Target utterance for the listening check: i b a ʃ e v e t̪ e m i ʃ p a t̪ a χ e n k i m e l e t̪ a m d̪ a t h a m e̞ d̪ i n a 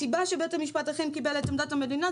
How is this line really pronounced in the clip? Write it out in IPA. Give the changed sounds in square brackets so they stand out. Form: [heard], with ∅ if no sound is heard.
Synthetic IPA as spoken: i b a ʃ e [b] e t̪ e m i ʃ p a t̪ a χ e [m] k i [b] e l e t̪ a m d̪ a t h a m e̞ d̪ i n a